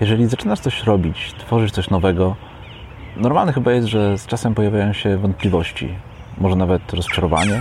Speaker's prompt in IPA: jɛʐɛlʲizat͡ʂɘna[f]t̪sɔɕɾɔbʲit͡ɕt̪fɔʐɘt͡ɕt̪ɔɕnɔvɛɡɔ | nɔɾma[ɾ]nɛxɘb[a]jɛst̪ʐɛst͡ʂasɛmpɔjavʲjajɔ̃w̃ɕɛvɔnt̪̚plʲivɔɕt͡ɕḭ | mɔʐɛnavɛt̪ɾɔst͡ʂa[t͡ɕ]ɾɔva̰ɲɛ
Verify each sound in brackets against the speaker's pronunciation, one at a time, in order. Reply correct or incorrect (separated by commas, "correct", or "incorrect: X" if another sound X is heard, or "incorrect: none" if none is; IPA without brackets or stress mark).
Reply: incorrect: ʂ, incorrect: l, correct, incorrect: none